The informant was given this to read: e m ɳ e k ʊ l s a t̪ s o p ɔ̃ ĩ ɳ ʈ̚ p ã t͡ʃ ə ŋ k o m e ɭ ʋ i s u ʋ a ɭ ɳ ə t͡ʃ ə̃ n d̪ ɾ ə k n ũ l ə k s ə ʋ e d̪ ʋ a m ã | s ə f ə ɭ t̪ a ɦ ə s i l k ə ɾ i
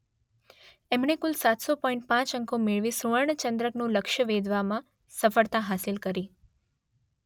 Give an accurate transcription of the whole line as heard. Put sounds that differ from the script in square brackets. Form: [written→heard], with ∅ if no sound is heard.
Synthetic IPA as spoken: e m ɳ e k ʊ l s a t̪ s o p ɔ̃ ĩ ɳ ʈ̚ p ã t͡ʃ ə ŋ k o m e ɭ ʋ i s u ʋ [a→ə] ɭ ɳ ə t͡ʃ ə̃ n d̪ ɾ ə k n ũ l ə k [s→ʃ] ə ʋ e d̪ ʋ a m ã | s ə f ə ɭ t̪ a ɦ [ə→a] s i l k ə ɾ i